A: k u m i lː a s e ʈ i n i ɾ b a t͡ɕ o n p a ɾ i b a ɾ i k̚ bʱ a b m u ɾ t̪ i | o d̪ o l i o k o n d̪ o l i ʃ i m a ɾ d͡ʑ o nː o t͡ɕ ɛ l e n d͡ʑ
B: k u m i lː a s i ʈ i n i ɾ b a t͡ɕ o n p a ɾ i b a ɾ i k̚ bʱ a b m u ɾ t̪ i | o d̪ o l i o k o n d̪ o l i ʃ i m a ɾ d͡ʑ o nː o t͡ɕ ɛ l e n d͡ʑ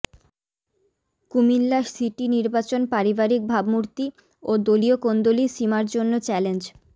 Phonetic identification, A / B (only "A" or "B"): B